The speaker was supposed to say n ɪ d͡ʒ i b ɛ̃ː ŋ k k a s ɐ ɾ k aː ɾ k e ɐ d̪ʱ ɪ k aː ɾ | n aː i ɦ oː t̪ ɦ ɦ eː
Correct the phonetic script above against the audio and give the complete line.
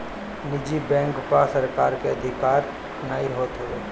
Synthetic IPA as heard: n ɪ d͡ʒ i b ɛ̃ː ŋ k p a s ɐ ɾ k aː ɾ k e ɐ d̪ʱ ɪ k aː ɾ | n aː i ɦ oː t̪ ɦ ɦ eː